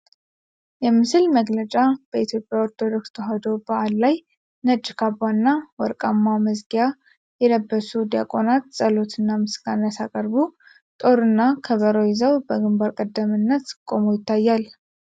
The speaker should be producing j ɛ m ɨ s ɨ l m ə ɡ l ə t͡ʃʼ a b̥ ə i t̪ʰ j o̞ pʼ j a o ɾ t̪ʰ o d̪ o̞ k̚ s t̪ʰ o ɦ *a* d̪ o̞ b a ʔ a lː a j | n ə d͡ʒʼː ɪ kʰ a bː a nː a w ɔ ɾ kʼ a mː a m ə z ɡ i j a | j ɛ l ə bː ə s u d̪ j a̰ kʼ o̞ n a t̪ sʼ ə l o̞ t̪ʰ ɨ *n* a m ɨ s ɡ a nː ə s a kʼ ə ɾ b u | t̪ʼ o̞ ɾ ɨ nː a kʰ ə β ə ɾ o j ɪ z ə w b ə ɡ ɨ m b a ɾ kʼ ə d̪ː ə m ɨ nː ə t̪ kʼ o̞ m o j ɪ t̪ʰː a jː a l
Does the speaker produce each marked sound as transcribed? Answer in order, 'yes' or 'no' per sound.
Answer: yes, no

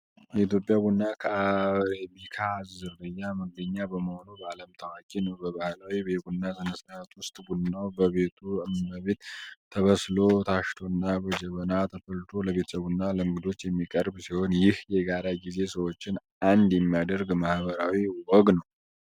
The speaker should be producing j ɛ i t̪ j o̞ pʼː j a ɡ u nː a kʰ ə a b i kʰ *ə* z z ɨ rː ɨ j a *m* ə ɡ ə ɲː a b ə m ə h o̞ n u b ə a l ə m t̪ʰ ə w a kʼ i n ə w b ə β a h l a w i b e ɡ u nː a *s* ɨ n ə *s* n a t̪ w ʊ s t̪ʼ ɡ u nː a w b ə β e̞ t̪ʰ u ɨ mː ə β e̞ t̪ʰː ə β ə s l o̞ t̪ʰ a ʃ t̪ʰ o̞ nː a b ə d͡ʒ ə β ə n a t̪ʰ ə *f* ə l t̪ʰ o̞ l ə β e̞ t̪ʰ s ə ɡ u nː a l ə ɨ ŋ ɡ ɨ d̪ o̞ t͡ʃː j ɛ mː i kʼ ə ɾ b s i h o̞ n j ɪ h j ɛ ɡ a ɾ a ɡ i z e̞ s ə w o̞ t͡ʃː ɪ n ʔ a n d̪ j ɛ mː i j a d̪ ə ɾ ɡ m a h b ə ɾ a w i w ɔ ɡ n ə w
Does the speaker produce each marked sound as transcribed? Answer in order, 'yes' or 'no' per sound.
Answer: no, yes, no, yes, yes

